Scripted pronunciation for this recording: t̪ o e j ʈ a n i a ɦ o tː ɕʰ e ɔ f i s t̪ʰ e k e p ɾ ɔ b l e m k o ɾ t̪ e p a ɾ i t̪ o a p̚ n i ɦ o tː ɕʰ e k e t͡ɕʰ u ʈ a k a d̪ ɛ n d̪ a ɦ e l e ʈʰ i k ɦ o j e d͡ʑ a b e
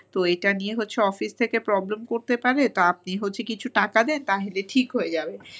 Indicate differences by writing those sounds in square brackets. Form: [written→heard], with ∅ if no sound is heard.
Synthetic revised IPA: t̪ o e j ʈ a n i [a→e] ɦ o tː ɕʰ e ɔ f i s t̪ʰ e k e p ɾ ɔ b l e m k o ɾ t̪ e p a ɾ [i→e] t̪ o a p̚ n i ɦ o tː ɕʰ e k [e→i] t͡ɕʰ u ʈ a k a d̪ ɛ n [d̪→t̪] a ɦ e l e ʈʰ i k ɦ o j e d͡ʑ a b e